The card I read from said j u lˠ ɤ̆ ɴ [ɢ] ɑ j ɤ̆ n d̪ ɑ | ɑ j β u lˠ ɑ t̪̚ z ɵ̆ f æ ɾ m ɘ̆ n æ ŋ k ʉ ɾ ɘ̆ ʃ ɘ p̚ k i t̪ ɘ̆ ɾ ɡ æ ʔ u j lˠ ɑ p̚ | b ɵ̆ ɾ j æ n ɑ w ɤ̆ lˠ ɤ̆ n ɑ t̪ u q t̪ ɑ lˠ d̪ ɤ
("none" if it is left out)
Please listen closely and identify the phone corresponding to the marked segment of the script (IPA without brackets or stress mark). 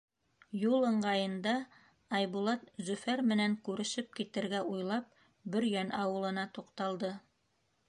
ɢ